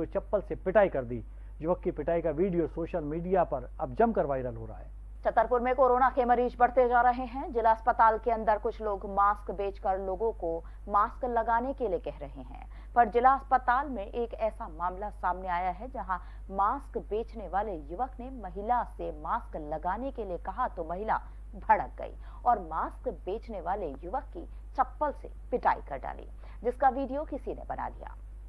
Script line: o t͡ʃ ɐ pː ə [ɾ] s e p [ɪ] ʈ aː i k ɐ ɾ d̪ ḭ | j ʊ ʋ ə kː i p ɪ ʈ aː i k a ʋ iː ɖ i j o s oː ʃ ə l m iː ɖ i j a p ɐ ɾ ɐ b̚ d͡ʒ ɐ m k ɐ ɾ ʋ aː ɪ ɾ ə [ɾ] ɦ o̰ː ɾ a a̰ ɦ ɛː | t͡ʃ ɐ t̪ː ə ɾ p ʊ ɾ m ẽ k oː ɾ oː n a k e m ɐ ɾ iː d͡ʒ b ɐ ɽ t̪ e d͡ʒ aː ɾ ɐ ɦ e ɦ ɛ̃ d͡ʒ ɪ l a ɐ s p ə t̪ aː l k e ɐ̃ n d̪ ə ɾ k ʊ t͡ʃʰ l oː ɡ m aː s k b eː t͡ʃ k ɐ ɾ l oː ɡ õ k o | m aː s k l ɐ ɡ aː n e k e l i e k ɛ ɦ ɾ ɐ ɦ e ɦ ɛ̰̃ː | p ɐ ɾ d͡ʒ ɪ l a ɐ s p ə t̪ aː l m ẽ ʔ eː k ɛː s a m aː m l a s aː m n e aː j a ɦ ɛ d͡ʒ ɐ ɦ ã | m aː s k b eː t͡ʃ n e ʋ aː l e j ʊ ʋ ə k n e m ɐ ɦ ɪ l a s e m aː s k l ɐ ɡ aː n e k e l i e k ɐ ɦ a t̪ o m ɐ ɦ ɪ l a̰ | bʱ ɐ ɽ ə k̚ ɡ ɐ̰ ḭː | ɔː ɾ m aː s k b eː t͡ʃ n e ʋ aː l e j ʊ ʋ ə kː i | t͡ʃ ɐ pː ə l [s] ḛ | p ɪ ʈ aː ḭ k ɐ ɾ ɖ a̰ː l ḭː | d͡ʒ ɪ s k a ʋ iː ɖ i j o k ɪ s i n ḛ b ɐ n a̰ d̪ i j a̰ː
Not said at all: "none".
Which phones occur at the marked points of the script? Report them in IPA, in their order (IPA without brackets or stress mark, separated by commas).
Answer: l, ɪ, l, s